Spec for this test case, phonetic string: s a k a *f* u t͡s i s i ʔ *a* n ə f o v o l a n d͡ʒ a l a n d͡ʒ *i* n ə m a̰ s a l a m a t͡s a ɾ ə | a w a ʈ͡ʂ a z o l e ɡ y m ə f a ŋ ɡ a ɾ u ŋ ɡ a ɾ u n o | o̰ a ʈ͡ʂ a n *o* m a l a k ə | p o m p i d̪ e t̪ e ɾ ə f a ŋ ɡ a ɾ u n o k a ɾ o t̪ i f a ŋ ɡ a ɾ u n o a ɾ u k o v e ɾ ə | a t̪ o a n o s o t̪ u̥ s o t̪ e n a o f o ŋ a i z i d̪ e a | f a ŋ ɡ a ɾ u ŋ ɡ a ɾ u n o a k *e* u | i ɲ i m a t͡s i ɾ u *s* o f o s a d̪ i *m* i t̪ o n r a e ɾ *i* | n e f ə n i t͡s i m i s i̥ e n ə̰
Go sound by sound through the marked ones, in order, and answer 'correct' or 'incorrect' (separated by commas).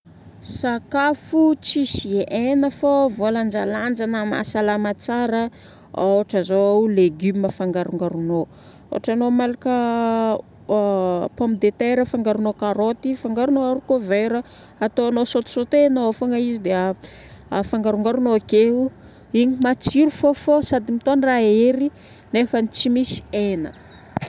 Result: correct, incorrect, incorrect, correct, correct, incorrect, correct, correct